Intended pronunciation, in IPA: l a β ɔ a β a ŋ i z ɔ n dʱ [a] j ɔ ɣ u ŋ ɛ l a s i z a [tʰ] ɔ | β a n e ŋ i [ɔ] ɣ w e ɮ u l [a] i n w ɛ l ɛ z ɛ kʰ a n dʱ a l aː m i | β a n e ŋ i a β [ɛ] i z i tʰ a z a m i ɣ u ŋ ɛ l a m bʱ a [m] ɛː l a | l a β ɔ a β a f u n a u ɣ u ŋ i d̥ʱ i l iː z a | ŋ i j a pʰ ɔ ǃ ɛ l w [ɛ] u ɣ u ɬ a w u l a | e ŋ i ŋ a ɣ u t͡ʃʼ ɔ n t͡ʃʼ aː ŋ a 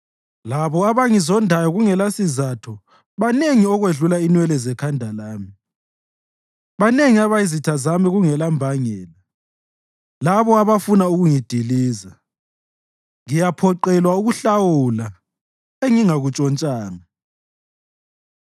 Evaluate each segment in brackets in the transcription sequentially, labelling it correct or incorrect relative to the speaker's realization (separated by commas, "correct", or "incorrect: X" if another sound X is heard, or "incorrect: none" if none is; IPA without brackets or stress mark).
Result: correct, correct, correct, correct, incorrect: a, incorrect: ŋ, incorrect: a